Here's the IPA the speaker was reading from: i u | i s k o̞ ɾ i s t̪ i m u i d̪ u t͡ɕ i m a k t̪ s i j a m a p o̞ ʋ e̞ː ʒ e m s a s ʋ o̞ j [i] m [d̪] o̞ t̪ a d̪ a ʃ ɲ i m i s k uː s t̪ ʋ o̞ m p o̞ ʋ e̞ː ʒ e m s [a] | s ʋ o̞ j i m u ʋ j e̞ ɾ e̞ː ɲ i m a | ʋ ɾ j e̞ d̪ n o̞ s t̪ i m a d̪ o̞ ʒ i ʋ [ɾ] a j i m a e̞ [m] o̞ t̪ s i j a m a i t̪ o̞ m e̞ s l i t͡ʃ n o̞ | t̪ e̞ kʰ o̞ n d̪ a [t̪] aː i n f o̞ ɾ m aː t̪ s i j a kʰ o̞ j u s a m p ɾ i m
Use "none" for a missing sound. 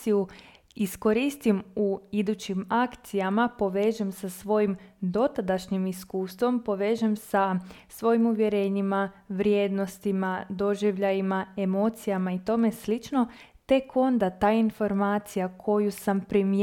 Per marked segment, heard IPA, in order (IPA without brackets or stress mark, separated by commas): i, d̪, a, ʎ, m, t̪